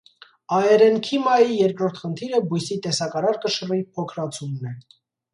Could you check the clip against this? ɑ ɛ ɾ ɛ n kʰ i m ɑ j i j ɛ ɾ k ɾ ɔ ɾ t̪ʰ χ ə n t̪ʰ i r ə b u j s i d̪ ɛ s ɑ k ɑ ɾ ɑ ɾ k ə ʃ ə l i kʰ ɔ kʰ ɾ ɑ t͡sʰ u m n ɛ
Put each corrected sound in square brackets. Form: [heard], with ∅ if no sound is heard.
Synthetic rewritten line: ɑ ɛ ɾ ɛ n kʰ i m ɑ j i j ɛ ɾ k ɾ ɔ ɾ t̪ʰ χ ə n t̪ʰ i [ɾ] ə b u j s i [t̪] ɛ s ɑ k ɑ ɾ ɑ ɾ k ə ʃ ə [r] i [pʰ] ɔ kʰ ɾ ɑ t͡sʰ u m n ɛ